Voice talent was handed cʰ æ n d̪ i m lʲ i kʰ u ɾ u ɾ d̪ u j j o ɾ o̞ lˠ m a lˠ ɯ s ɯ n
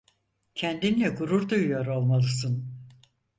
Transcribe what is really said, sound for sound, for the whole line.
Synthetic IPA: cʰ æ n d̪ i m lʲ ɛ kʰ u ɾ u ɾ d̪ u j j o ɾ o̞ lˠ m a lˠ ɯ s ɯ n